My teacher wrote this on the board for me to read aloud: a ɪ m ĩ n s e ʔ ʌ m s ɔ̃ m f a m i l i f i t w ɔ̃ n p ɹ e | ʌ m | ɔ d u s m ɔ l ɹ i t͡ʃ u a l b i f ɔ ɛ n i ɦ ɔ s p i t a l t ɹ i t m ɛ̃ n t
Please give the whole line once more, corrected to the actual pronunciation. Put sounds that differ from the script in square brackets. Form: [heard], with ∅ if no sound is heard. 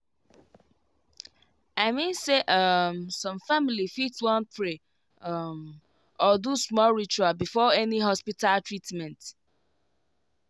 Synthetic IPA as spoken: a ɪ m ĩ n s e ʔ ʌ m s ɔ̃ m f a m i l i f i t w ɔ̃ n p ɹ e | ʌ m | ɔ d u s m ɔ l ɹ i t͡ʃ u a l b i f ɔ ɛ n i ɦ ɔ s p i t a l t ɹ i t m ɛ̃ n t